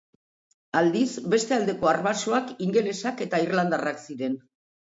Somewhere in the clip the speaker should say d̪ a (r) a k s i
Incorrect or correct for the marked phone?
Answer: correct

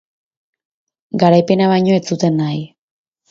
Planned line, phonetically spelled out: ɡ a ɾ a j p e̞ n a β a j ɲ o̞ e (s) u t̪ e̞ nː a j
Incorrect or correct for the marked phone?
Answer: incorrect: t͡s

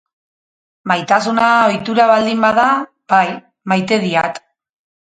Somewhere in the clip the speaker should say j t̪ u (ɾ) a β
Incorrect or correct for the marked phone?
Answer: correct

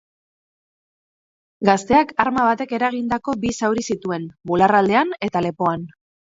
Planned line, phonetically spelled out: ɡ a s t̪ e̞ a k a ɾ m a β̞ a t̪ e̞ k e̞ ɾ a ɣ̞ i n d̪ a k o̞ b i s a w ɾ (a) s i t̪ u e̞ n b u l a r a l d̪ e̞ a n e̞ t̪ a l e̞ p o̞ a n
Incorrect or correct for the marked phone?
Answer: incorrect: i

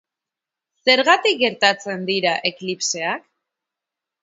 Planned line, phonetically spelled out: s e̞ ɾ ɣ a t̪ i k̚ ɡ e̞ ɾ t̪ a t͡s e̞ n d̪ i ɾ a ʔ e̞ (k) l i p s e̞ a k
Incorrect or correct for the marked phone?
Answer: correct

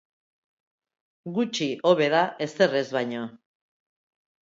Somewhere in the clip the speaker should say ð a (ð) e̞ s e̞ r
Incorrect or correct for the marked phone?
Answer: incorrect: none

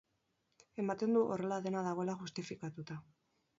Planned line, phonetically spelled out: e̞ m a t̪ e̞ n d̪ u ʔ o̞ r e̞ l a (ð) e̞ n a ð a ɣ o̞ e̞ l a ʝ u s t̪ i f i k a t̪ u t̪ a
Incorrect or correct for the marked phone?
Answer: correct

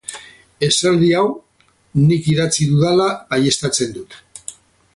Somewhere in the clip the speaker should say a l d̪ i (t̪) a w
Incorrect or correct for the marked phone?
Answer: incorrect: none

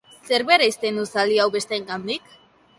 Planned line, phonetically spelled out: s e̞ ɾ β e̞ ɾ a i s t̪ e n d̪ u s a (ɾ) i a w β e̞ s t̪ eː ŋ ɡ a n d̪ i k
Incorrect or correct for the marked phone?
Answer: incorrect: l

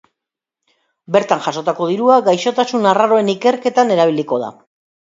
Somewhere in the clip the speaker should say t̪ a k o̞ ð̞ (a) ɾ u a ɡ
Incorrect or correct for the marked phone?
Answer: incorrect: i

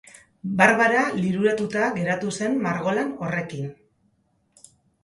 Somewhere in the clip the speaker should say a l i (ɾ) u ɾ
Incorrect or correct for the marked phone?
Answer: correct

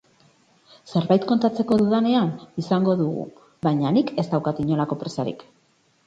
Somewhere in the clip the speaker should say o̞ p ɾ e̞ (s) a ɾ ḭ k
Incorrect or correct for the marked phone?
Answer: correct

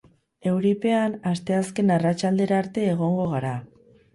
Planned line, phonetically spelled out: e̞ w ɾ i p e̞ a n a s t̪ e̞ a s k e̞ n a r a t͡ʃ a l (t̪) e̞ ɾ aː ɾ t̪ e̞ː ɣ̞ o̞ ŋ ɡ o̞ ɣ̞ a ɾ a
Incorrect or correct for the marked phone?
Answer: incorrect: d̪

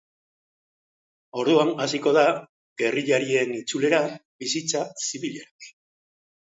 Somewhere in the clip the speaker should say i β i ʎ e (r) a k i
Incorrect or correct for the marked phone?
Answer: incorrect: ɾ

